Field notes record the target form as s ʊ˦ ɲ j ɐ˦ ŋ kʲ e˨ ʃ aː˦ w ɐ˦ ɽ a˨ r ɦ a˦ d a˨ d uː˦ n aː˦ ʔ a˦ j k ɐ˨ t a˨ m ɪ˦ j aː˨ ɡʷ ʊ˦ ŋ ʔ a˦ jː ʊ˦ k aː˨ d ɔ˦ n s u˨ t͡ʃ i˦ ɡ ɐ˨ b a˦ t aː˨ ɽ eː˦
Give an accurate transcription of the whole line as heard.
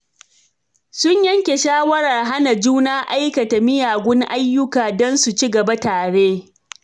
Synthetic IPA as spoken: s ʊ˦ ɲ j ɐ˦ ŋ kʲ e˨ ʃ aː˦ w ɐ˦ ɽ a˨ r ɦ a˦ n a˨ d͡ʒ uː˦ n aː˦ ʔ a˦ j k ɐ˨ t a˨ m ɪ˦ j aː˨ ɡʷ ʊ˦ ŋ ʔ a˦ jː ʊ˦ k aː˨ d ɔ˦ n s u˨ t͡ʃ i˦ ɡ ɐ˨ b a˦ t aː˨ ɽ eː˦